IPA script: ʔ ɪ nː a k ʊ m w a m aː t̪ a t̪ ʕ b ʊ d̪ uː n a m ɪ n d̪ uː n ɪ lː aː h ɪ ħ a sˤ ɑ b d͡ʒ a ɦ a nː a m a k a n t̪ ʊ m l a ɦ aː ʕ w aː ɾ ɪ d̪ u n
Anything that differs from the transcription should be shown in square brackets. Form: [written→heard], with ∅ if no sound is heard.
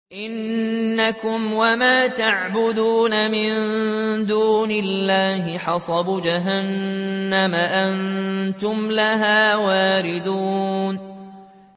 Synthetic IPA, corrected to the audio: ʔ ɪ nː a k ʊ m w a m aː t̪ a [t̪→∅] ʕ b ʊ d̪ uː n a m ɪ n d̪ uː n ɪ lː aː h ɪ ħ [a→ɑ] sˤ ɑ b d͡ʒ a ɦ a nː a m a [k→ʔ] a n t̪ ʊ m l a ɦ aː [ʕ→∅] w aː ɾ ɪ d̪ [u→uː] n